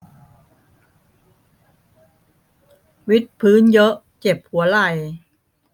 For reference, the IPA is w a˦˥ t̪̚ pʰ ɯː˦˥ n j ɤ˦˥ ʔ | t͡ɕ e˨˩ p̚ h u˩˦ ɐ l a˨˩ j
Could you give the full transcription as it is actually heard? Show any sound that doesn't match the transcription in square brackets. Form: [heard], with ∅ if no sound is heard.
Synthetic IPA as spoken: w [i˦˥] t̪̚ pʰ ɯː˦˥ n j ɤ˦˥ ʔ | t͡ɕ e˨˩ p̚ h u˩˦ ɐ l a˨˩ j